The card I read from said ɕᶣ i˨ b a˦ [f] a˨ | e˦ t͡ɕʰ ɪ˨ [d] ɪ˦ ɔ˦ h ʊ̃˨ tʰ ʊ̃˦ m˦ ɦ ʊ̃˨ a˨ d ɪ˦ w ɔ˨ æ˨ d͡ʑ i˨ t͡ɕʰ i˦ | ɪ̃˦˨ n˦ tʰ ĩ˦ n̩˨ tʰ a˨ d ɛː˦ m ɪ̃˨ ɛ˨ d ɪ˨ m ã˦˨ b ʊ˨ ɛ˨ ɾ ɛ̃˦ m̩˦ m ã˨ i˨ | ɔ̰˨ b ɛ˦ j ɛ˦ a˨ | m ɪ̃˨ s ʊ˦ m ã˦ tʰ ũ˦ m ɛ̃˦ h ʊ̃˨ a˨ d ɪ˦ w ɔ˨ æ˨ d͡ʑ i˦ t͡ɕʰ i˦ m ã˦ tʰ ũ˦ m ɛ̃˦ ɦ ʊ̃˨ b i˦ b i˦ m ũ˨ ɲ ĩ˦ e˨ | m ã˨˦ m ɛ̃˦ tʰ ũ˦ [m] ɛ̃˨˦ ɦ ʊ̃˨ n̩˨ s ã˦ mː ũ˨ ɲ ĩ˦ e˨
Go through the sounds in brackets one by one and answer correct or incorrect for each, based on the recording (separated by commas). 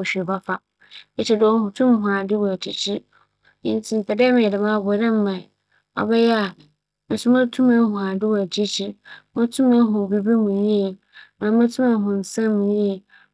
correct, correct, correct